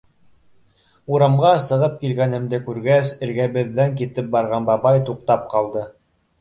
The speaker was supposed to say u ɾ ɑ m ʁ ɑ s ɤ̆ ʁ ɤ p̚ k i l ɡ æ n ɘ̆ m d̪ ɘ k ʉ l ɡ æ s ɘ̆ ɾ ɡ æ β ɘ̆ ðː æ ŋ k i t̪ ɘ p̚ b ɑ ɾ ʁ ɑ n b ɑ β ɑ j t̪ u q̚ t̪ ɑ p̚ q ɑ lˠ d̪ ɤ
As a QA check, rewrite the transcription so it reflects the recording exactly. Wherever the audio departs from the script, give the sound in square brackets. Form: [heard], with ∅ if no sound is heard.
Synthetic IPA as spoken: u ɾ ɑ m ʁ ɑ s ɤ̆ ʁ ɤ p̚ k i l ɡ æ n ɘ̆ m d̪ ɘ k ʉ [ɾ] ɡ æ s ɘ̆ ɾ ɡ æ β ɘ̆ ðː æ ŋ k i t̪ ɘ p̚ b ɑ ɾ ʁ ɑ n b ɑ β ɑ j t̪ u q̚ t̪ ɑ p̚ q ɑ lˠ d̪ ɤ

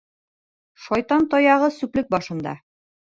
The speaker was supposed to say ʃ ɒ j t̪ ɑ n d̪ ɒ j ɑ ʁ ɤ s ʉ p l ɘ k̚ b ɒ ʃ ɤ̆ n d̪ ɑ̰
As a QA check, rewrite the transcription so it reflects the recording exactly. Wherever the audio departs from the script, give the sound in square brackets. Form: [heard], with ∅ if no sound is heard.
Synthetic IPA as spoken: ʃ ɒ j t̪ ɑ n [t̪] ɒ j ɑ ʁ ɤ s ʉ p l ɘ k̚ b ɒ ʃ ɤ̆ n d̪ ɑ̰

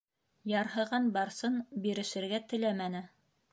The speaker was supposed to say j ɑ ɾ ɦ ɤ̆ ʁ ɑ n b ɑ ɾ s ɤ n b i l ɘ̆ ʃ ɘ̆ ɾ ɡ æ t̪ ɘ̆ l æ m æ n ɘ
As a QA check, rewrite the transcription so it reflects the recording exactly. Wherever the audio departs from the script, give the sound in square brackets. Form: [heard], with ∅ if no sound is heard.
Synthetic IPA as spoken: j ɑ ɾ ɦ ɤ̆ ʁ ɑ n b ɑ ɾ s ɤ n b i [ɾ] ɘ̆ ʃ ɘ̆ ɾ ɡ æ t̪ ɘ̆ l æ m æ n ɘ

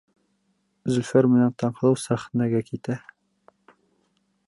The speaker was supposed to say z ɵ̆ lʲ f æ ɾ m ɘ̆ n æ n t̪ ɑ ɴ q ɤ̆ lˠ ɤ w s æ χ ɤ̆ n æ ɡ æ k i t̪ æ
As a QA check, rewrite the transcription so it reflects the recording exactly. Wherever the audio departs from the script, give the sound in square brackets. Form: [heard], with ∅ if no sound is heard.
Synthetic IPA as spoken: z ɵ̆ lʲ f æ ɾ m ɘ̆ n æ n t̪ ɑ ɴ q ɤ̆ lˠ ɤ w s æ χ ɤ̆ n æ ɡ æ k i t̪ æ

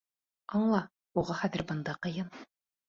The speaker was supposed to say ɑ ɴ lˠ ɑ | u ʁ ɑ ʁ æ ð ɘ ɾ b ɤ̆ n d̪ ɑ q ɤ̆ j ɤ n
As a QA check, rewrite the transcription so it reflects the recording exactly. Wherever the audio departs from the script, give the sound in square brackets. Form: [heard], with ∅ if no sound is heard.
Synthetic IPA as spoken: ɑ ɴ lˠ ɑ | u ʁ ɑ [χ] æ ð ɘ ɾ b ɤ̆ n d̪ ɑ q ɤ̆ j ɤ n

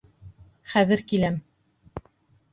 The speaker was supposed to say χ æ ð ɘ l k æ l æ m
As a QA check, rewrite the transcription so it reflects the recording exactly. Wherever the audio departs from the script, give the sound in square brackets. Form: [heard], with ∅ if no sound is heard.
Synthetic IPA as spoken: χ æ ð ɘ [ɾ] k [i] l æ m

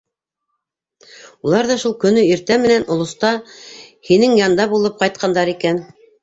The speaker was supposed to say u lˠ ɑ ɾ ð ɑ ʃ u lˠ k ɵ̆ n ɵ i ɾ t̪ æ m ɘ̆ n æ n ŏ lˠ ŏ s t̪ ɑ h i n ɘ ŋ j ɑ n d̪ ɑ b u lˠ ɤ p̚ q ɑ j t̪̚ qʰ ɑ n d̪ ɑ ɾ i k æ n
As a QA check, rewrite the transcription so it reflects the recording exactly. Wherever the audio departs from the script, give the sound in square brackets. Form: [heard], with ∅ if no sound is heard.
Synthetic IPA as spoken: u lˠ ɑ ɾ ð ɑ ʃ u lˠ k ɵ̆ n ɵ i ɾ t̪ æ m ɘ̆ n æ n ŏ lˠ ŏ s t̪ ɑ h i n ɘ ŋ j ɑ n d̪ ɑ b u lˠ ɤ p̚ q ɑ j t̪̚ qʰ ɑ n d̪ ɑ ɾ i k æ n

